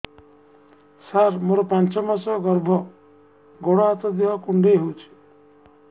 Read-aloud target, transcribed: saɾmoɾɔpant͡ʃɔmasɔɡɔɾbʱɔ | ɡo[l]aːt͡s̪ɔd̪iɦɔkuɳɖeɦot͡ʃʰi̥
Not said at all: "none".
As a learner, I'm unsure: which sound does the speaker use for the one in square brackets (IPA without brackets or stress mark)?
ɽ